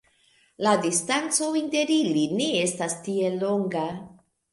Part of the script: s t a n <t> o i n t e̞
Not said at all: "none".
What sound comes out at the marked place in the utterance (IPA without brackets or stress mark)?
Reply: t͡s